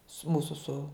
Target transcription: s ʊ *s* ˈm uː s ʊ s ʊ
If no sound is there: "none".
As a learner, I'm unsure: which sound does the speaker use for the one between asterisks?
none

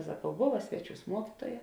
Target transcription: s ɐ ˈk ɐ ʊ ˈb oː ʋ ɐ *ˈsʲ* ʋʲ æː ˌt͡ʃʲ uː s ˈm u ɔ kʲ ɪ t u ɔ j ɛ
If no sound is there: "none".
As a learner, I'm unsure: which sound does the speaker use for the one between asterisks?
sʲ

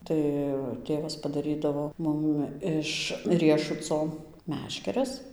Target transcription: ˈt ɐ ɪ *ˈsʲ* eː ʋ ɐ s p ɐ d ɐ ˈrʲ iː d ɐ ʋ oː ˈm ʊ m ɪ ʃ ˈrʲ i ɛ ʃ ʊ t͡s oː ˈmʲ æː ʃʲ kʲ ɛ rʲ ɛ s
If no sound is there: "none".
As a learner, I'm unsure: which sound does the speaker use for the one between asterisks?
tʲ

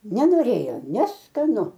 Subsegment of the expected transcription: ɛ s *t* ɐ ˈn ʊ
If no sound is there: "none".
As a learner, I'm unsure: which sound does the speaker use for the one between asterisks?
k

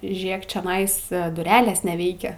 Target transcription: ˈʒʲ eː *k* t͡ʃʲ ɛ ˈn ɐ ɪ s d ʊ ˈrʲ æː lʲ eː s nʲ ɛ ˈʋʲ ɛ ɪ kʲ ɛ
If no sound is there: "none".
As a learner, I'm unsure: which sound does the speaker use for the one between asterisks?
k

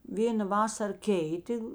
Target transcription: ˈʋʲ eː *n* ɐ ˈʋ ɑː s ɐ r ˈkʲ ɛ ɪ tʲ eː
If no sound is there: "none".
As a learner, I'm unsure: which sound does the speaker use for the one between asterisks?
n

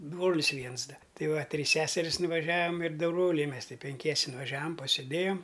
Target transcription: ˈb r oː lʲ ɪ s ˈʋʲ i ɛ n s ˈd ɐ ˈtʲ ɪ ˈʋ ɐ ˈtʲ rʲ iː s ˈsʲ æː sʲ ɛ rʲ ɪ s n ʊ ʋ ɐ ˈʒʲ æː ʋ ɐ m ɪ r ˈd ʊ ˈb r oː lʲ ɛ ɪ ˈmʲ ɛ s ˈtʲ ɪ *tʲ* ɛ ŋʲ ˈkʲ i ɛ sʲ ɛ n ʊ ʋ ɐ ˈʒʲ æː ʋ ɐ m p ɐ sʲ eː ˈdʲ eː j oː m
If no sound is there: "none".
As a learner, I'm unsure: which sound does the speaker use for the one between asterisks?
pʲ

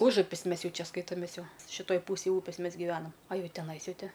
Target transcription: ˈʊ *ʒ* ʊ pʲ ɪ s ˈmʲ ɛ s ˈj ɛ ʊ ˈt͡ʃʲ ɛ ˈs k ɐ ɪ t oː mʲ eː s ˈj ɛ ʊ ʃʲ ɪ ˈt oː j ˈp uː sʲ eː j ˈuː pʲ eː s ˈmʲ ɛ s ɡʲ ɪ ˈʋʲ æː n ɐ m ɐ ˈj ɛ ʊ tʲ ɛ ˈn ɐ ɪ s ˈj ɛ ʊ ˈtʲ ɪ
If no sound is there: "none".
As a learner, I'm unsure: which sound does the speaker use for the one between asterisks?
ʒ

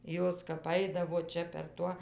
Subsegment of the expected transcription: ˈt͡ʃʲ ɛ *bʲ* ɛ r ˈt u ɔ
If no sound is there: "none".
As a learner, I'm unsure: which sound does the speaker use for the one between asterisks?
pʲ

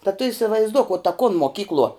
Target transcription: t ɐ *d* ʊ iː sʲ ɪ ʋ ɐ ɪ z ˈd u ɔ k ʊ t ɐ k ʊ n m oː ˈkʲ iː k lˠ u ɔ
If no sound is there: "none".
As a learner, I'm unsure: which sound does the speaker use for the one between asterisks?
t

